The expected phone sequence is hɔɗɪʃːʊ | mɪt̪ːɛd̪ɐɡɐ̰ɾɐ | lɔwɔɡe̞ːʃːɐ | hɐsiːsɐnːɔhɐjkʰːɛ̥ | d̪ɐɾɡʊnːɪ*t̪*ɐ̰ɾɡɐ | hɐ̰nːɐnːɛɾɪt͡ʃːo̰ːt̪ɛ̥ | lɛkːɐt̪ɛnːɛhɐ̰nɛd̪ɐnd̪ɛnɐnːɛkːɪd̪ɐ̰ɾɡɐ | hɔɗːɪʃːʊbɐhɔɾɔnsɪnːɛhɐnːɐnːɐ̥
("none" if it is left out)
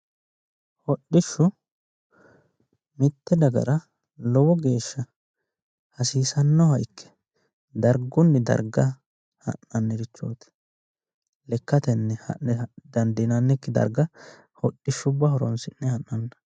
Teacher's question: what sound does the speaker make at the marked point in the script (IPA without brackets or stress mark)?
d̪